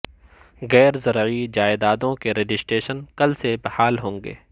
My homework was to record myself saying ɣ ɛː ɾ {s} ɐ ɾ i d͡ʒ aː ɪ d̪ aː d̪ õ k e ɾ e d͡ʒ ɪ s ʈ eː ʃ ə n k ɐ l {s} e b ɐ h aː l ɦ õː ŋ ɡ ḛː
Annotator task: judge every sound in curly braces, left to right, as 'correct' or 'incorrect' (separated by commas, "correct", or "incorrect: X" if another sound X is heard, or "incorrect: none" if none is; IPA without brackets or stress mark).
incorrect: z, correct